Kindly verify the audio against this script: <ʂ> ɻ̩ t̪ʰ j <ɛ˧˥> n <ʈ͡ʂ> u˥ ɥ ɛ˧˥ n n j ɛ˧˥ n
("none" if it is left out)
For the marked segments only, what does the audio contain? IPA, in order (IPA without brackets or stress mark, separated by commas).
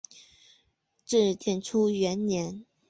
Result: ʈ͡ʂ, ɛ˥˩, ʈ͡ʂʰ